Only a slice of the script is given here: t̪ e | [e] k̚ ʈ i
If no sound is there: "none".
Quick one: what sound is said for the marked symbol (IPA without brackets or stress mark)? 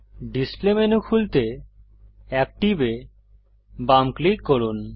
ɛ